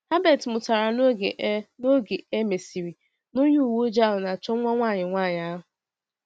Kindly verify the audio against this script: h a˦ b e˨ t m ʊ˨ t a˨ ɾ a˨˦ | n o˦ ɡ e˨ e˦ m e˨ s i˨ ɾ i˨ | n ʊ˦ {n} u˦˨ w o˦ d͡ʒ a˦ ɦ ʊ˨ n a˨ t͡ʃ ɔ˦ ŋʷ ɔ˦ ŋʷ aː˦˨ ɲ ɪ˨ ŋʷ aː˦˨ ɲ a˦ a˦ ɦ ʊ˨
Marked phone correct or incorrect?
incorrect